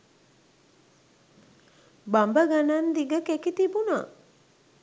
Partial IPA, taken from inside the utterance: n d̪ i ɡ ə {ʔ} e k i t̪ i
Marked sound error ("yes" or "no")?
yes